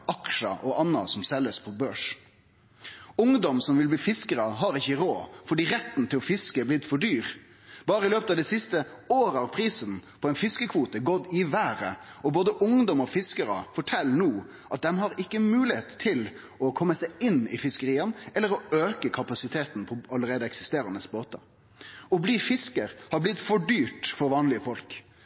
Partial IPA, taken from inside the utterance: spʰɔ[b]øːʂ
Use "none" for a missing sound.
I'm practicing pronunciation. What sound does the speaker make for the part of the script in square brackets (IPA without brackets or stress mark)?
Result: b